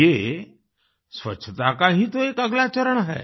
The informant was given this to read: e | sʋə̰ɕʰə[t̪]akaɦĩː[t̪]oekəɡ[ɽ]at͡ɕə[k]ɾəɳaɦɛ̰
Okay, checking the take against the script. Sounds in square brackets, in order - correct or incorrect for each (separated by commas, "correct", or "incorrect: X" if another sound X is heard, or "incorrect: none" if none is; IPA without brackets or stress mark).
correct, correct, incorrect: l, incorrect: none